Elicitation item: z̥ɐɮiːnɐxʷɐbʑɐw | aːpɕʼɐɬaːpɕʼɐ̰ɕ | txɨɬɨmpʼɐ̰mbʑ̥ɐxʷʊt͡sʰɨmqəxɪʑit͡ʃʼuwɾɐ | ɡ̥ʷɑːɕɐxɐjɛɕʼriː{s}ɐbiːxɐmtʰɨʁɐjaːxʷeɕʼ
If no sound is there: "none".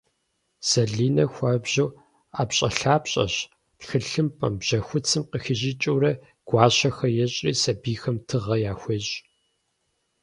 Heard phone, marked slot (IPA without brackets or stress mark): s